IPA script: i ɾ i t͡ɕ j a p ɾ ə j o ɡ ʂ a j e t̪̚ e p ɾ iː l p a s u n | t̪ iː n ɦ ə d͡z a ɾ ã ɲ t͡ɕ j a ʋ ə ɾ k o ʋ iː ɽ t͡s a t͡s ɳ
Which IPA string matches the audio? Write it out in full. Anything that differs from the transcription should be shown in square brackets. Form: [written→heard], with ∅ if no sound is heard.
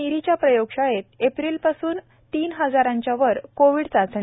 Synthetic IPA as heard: i ɾ i t͡ɕ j a p ɾ ə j o ɡ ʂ a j e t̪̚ e p ɾ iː l p a s [u→uː] n | t̪ iː n ɦ ə d͡z a ɾ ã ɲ t͡ɕ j a ʋ ə ɾ k o ʋ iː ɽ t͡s a t͡s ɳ

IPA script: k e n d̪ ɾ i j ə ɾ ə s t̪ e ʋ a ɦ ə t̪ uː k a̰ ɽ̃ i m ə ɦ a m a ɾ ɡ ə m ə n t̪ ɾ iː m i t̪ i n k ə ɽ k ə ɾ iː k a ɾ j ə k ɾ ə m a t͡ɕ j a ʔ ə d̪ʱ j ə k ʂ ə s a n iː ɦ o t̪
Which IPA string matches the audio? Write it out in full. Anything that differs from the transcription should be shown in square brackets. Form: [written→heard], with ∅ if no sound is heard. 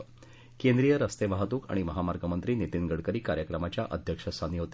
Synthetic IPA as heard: k e n d̪ ɾ i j ə ɾ ə s t̪ e ʋ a ɦ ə t̪ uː k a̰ ɽ̃ i m ə ɦ a m a ɾ ɡ ə m ə n t̪ ɾ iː [m→n] i t̪ i n [k→ɡ] ə ɽ k ə ɾ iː k a ɾ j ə k ɾ ə m a t͡ɕ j a ʔ ə d̪ʱ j ə k ʂ ə s a n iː ɦ o t̪

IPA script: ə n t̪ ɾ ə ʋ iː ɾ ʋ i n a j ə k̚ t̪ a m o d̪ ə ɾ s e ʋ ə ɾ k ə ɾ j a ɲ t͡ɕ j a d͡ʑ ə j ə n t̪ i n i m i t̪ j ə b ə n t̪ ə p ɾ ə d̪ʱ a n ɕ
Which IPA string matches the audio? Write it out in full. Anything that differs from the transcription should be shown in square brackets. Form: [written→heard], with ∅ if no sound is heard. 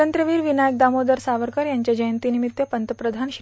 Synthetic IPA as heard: ə n t̪ ɾ ə ʋ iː ɾ ʋ i n a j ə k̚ [t̪→d̪] a m o d̪ ə ɾ s [e→a] ʋ ə ɾ k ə ɾ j a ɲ t͡ɕ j a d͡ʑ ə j ə n t̪ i n i m i t̪ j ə [b→p] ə n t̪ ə p ɾ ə d̪ʱ a n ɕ

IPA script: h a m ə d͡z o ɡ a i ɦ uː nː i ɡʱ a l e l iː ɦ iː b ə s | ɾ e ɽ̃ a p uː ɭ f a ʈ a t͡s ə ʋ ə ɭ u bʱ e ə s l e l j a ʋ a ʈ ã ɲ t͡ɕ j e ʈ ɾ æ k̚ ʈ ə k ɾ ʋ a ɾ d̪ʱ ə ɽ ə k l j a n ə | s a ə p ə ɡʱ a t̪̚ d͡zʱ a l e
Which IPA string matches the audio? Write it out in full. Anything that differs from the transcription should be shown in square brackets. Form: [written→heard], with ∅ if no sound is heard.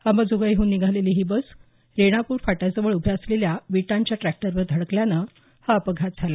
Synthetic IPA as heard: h a m ə d͡z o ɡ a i ɦ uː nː i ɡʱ a l e l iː ɦ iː b ə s | ɾ e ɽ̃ a p uː [ɭ→ɾ] f a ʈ a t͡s ə ʋ ə ɭ u bʱ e ə s l e l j a ʋ [a→i] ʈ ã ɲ t͡ɕ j [e→a] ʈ ɾ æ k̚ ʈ ə [k→∅] ɾ ʋ [a→ə] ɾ d̪ʱ ə ɽ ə k l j a n ə | [s→h] a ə p ə ɡʱ a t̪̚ d͡zʱ a l [e→a]

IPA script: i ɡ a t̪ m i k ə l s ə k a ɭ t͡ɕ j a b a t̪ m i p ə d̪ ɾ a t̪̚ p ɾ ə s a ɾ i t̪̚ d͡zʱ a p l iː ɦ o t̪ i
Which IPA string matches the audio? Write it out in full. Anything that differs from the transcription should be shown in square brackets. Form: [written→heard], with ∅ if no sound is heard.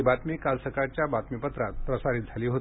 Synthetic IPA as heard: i [ɡ→b] a t̪ m i k [ə→a] l s ə k a [ɭ→ɾ] t͡ɕ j a b a t̪ m i p ə [d̪→t̪] ɾ a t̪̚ p ɾ ə s a ɾ i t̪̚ d͡zʱ a [p→∅] l iː ɦ o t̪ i

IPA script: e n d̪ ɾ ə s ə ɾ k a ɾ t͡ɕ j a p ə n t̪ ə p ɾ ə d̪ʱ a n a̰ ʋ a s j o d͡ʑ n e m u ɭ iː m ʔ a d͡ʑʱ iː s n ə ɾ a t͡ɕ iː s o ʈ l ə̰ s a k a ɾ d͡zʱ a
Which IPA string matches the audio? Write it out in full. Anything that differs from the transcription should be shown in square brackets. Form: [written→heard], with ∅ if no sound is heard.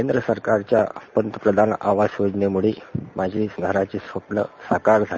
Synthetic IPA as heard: e n d̪ ɾ ə s ə ɾ k a ɾ t͡ɕ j a p ə n t̪ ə p ɾ ə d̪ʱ a n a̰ ʋ a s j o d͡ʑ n e m u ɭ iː m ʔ a d͡ʑʱ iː s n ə ɾ a t͡ɕ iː s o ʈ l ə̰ s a k a ɾ d͡zʱ a

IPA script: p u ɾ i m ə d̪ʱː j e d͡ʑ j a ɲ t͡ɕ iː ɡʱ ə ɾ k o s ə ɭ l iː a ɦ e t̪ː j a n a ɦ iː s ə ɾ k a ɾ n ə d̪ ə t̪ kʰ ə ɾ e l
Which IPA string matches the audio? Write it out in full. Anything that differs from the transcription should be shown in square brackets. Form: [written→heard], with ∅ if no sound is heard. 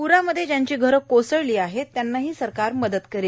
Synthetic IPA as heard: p u ɾ [i→a] m ə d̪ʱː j e d͡ʑ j a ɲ t͡ɕ iː ɡʱ ə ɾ k o s ə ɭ l iː a ɦ e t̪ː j a [n→nː] a ɦ iː s ə ɾ k a ɾ [n→m] ə d̪ ə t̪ [kʰ→k] ə ɾ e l

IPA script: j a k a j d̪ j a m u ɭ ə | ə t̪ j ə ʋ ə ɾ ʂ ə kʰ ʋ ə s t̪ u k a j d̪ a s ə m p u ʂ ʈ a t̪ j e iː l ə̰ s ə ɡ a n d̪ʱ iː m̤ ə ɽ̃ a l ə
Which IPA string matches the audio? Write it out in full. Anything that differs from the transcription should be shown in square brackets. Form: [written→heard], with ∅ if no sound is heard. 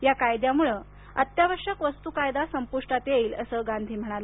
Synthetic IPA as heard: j a k a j d̪ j a m u ɭ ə | ə t̪ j [ə→a] ʋ ə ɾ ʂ ə [kʰ→k] ʋ ə s t̪ u k a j d̪ a s ə m p u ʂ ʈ a t̪ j e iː l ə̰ s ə ɡ a n d̪ʱ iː m̤ ə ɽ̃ a l ə

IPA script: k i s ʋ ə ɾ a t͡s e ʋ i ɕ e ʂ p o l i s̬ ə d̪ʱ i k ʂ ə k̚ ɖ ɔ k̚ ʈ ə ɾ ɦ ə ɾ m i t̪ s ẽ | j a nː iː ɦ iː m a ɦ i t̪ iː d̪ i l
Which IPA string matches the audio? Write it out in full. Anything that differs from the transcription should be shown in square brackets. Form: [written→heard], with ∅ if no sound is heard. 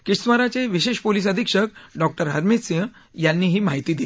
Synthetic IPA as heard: k i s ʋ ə ɾ a t͡s e ʋ i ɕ e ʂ p o l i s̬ ə d̪ʱ i k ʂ ə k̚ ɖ ɔ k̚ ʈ ə ɾ ɦ ə ɾ m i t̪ s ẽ | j a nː iː ɦ iː m a ɦ i t̪ iː d̪ i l

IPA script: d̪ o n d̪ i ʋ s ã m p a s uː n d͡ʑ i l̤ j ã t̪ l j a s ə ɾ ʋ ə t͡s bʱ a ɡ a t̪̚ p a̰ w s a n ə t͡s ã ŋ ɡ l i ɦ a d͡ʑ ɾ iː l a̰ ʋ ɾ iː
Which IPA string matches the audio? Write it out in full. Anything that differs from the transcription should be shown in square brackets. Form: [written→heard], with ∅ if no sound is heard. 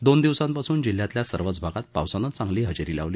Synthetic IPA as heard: d̪ o n d̪ i ʋ s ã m p a s uː n d͡ʑ i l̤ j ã t̪ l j a s ə ɾ ʋ ə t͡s bʱ a ɡ a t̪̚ p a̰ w s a n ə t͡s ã ŋ ɡ l [i→iː] ɦ [a→ə] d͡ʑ ɾ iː l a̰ ʋ [ɾ→l] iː

